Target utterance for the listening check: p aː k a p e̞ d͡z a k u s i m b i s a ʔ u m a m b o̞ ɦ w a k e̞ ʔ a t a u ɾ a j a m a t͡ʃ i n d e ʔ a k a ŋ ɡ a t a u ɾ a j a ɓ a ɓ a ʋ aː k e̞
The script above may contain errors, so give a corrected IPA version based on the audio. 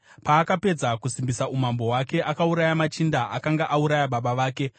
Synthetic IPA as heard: p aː k a p e̞ d͡z a k u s i m b i s a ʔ u m a m b o̞ ɦ w a k e̞ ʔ a k a u ɾ a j a m a t͡ʃ i n d a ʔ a k a ŋ ɡ a ʔ a u ɾ a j a ɓ a ɓ a ʋ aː k e̞